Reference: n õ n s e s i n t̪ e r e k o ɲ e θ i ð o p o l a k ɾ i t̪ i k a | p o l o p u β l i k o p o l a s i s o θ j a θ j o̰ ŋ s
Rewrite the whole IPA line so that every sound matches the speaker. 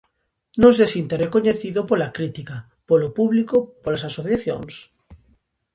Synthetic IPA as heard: n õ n s e s i n t̪ e r e k o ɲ e θ i ð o p o l a k ɾ i t̪ i k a | p o l o p u β l i k o p o l a s a s o θ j a θ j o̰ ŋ s